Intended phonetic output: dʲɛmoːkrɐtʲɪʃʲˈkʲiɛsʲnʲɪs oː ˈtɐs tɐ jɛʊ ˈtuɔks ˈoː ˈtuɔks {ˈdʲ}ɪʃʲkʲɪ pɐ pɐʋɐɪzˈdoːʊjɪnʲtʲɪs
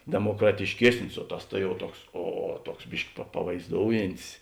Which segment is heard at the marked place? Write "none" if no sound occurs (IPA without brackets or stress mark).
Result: bʲ